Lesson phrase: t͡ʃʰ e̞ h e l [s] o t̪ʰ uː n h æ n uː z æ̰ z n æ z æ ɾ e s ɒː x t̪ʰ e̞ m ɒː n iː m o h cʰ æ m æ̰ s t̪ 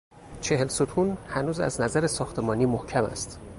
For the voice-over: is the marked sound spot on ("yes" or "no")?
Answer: yes